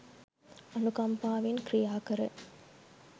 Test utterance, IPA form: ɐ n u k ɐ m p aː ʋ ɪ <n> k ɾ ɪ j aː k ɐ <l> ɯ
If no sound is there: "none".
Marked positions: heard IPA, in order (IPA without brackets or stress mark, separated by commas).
n, ɾ